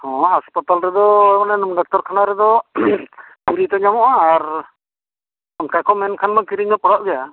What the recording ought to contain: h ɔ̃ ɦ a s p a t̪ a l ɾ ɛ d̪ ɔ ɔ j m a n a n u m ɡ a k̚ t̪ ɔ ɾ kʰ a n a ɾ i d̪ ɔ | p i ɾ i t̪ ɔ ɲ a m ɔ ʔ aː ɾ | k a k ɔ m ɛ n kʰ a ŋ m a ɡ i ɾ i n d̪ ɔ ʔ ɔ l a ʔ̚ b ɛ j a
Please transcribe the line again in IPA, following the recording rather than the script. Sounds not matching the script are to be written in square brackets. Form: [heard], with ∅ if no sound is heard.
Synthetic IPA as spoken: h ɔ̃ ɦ a s p a t̪ a l ɾ ɛ d̪ ɔ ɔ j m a n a n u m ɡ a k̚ t̪ ɔ ɾ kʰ a n a ɾ [ɛ] d̪ ɔ | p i ɾ i t̪ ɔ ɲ a m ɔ ʔ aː ɾ | k a k ɔ m ɛ n kʰ a [n] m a [k] i ɾ i [ɲ] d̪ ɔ [p] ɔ [ɽ] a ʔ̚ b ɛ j a